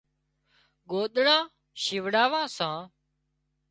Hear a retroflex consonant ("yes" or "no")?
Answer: yes